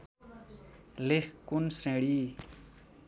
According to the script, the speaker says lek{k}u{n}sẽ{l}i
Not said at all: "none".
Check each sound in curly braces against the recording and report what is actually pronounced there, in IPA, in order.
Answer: k, n, ɽ

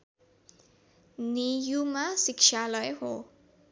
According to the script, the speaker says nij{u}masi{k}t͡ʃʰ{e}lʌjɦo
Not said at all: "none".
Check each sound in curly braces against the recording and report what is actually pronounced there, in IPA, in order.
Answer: u, k, a

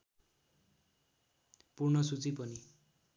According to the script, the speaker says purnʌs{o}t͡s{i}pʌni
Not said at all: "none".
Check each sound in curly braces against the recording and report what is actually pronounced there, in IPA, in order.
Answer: u, i

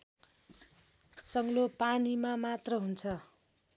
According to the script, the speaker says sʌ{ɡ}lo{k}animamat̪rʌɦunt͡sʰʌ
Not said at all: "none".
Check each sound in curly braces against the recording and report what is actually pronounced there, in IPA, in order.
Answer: ŋ, p

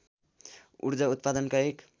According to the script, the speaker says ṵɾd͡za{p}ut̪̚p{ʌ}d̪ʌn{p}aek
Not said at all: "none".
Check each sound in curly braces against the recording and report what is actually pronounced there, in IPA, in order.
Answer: none, a, k

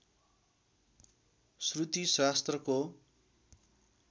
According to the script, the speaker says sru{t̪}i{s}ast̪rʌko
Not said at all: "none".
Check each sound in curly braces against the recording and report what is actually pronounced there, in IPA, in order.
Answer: t̪, s

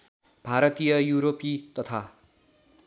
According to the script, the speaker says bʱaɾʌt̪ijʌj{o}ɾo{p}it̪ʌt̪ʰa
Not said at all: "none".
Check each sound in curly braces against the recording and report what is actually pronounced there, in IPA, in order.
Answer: u, p

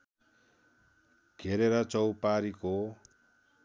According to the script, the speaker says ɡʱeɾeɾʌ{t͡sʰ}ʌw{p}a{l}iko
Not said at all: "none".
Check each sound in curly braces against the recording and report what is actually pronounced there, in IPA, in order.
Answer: t͡s, p, ɾ

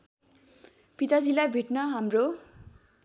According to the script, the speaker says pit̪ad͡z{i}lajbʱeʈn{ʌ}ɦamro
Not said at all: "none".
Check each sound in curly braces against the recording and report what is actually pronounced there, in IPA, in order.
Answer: i, ʌ

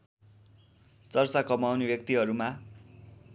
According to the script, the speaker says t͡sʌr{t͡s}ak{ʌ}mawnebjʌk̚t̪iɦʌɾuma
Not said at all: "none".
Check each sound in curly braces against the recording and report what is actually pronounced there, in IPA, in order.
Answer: t͡s, ʌ

